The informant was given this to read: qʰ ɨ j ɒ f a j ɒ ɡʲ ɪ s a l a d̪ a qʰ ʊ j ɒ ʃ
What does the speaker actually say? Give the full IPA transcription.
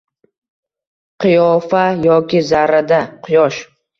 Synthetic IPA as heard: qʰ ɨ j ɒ f a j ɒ kʲ ɪ z a ɾ a d̪ a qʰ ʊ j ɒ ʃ